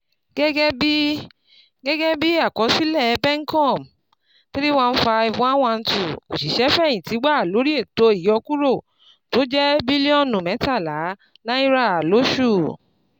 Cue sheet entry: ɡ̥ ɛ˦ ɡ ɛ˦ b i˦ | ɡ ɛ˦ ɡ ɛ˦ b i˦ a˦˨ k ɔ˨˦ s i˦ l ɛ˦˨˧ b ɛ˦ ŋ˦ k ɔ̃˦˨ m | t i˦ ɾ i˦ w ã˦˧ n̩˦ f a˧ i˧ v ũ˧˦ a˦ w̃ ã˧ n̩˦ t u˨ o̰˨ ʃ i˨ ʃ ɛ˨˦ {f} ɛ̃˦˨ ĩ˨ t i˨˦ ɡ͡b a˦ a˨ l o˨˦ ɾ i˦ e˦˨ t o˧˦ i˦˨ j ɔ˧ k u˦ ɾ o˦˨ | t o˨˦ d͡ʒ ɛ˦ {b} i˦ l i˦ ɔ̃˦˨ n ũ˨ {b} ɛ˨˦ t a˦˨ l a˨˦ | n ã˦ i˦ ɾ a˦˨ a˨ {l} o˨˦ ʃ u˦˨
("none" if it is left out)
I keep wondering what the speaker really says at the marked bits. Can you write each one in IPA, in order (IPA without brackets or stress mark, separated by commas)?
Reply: f, b, m, l